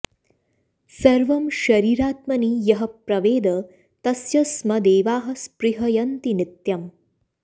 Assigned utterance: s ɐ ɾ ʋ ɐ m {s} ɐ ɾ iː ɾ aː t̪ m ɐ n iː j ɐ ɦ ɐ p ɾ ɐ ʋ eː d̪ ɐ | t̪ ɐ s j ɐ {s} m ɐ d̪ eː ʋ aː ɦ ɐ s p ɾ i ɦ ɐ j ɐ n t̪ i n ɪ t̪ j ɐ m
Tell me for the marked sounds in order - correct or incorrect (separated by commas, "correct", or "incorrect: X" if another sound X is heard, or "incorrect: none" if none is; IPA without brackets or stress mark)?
incorrect: ʃ, correct